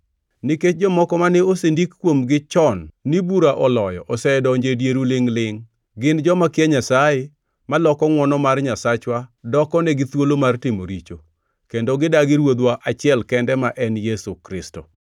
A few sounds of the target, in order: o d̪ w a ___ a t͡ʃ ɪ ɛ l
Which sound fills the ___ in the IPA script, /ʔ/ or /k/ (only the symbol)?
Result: ʔ